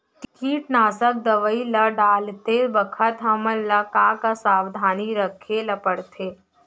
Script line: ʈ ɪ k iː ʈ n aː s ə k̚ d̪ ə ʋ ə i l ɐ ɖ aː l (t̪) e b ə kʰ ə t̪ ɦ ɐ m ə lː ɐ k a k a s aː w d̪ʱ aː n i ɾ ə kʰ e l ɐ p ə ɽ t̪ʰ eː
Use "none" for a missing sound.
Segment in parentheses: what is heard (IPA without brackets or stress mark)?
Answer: t̪